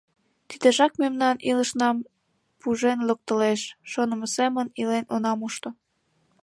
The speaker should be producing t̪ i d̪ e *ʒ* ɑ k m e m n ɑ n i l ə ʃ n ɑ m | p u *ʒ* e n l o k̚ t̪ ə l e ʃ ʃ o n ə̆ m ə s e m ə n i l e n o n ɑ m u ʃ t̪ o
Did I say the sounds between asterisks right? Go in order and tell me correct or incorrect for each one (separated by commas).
correct, correct